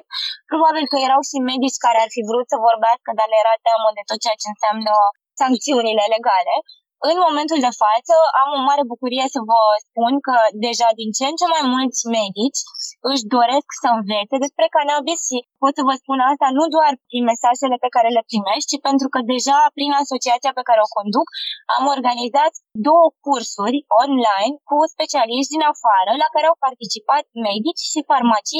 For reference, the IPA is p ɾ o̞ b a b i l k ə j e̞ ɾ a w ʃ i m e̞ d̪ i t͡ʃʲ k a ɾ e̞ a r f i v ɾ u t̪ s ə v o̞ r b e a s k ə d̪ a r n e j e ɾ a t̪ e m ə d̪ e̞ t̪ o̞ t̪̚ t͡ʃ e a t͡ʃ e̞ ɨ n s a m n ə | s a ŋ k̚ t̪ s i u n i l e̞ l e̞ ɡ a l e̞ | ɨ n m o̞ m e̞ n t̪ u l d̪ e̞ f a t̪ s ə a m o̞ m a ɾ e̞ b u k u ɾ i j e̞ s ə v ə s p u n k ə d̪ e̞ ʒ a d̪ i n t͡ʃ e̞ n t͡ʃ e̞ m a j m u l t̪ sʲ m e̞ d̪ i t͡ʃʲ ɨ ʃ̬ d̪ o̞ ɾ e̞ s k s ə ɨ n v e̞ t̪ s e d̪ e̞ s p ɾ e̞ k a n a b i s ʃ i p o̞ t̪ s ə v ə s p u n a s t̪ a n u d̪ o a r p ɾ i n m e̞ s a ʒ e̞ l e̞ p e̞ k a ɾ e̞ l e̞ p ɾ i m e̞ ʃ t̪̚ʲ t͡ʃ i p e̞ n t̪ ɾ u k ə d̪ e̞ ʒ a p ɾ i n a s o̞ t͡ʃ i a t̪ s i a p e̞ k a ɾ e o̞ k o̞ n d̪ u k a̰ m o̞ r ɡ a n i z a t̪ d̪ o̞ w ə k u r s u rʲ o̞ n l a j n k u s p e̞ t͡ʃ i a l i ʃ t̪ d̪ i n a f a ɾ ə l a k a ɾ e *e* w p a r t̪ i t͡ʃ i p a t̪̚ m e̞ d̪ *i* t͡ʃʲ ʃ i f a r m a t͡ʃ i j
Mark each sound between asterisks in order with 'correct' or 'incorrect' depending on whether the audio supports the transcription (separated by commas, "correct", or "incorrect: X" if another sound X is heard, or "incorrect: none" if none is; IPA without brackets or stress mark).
incorrect: a, correct